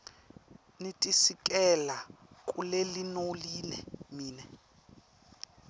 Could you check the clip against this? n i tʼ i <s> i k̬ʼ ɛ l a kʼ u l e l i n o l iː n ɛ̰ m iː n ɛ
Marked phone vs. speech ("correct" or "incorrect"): correct